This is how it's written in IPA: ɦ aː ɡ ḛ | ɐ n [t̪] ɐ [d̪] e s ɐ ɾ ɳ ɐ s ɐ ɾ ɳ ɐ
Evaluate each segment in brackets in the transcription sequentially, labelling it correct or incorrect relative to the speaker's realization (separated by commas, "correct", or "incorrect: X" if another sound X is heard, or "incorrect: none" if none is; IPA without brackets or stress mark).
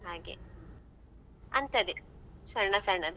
correct, correct